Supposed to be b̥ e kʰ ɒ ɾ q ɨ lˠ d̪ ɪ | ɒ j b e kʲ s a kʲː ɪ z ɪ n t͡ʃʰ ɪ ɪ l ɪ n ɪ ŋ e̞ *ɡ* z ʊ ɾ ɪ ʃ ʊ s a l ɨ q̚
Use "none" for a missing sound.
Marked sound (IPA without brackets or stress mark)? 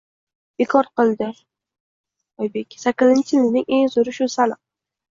ŋ